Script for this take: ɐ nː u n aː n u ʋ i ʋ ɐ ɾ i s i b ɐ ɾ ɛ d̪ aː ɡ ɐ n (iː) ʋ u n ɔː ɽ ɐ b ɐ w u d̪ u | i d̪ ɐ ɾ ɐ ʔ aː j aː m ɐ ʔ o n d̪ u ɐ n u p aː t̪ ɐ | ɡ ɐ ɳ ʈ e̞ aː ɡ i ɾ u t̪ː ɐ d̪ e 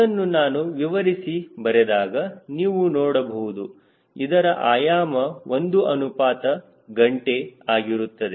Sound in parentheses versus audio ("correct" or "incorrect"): correct